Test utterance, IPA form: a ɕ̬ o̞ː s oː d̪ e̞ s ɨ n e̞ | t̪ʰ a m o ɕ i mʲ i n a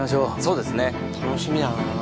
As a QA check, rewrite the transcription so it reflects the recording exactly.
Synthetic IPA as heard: a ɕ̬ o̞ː s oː d̪ e̞ s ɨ n e̞ | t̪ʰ a n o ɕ i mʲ i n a

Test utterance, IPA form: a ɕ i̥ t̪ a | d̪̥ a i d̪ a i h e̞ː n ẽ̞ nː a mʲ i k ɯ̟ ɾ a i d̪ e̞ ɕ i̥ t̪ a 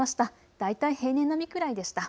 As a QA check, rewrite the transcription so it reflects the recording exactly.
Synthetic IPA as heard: a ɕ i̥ t̪ a | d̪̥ a i t̪ a i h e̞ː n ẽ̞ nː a mʲ i k ɯ̟ ɾ a i d̪ e̞ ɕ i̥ t̪ a

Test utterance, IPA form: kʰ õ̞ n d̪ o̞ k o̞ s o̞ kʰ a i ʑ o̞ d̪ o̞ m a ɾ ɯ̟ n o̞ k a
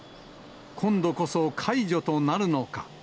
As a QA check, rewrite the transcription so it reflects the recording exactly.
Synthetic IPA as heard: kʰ õ̞ n d̪ o̞ k o̞ s o̞ kʰ a i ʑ o̞ t̪ o̞ n a ɾ ɯ̟ n o̞ k a

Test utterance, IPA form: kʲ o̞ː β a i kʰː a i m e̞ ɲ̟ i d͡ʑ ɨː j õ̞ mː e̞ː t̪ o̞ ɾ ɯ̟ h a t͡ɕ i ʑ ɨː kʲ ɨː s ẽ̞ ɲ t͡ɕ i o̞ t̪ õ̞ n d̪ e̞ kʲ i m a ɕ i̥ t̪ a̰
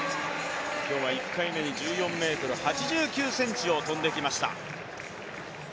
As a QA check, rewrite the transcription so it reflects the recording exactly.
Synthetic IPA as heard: kʲ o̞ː β a i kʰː a i m e̞ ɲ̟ i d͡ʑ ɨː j õ̞ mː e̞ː t̪ o̞ ɾ ɯ̟ h a t͡ɕ i ʑ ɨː kʲ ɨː s ẽ̞ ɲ t͡ɕ i o̞ t̪ õ̞ n d̪ e̞ kʲ i m a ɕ i̥ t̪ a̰

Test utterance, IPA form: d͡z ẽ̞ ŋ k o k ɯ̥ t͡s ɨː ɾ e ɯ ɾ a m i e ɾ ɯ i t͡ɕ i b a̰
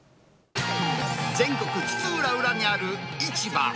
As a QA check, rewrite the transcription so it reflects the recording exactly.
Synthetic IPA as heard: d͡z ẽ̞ ŋ k o k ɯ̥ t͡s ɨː ɾ a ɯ ɾ a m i a ɾ ɯ i t͡ɕ i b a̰

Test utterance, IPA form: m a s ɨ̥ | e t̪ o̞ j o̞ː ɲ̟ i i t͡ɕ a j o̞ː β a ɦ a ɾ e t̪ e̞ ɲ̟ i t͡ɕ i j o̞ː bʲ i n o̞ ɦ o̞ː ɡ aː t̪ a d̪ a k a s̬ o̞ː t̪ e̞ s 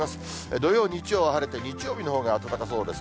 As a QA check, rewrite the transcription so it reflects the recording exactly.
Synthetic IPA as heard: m a s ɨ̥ | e d̪ o̞ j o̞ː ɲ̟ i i t͡ɕ i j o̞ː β a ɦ a ɾ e t̪ e̞ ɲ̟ i t͡ɕ i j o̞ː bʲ i n o̞ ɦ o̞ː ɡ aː t̪ a t̪ a k a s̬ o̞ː d̪ e̞ s

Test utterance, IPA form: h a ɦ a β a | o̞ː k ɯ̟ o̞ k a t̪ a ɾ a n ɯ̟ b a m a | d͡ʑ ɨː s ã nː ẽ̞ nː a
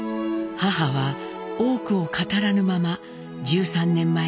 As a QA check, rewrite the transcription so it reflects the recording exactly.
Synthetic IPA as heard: h a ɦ a β a | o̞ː k ɯ̟ o̞ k a t̪ a ɾ a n ɯ̟ m a m a | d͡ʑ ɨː s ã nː ẽ̞ mː a

